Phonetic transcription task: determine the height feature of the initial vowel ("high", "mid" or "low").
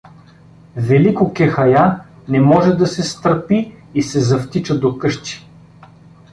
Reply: mid